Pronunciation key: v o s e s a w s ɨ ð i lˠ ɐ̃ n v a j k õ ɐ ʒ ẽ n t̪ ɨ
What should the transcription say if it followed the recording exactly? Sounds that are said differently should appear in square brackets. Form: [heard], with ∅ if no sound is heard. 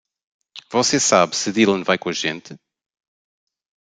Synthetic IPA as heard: v [ɔ] s e s a [β] s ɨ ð i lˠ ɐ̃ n v a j k õ ɐ ʒ ẽ n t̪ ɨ